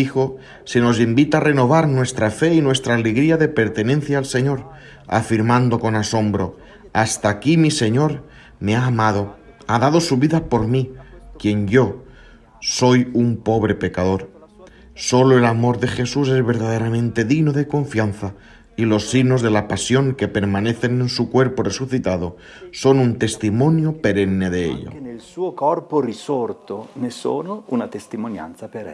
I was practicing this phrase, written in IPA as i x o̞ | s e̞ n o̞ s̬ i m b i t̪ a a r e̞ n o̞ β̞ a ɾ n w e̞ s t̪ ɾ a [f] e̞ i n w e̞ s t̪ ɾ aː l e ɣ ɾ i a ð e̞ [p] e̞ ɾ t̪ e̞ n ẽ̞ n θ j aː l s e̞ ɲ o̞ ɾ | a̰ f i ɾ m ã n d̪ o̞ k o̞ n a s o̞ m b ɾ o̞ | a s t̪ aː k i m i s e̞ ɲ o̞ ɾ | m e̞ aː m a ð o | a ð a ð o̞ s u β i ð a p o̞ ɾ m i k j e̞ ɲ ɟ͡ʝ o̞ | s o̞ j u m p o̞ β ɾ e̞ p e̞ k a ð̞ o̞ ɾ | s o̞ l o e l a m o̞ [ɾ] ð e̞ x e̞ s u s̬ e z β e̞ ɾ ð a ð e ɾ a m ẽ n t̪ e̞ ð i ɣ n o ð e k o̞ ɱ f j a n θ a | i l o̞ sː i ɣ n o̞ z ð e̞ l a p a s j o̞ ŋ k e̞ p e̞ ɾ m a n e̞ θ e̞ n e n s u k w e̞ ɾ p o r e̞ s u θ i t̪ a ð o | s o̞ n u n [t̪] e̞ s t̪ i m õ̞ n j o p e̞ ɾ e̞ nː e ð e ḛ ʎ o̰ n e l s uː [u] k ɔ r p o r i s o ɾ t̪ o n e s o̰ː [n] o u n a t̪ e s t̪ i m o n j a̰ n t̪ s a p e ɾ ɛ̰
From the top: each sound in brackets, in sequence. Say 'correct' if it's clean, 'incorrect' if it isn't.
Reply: correct, correct, correct, correct, incorrect: o, correct

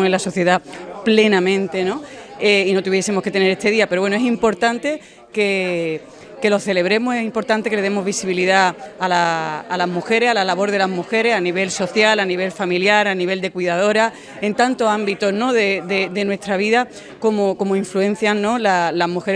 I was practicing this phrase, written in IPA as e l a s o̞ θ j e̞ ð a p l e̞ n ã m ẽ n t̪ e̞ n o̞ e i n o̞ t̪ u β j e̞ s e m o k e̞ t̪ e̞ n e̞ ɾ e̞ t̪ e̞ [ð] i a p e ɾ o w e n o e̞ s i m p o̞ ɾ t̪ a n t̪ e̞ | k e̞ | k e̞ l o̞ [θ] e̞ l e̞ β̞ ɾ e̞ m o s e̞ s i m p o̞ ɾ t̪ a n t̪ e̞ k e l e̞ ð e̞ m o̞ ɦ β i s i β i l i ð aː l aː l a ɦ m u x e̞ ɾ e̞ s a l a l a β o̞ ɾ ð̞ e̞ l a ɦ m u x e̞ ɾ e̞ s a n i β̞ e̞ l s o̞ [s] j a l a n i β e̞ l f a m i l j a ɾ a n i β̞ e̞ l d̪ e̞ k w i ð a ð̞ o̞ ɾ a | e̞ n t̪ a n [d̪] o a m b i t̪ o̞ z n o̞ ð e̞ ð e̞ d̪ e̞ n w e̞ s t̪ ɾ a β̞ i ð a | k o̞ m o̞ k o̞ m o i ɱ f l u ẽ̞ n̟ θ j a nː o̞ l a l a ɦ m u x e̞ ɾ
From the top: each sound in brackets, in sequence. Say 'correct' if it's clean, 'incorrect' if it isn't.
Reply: correct, correct, incorrect: θ, incorrect: t̪

